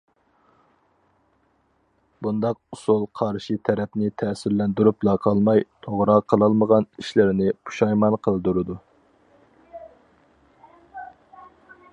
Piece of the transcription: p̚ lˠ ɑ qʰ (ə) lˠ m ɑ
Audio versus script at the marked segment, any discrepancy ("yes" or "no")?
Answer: yes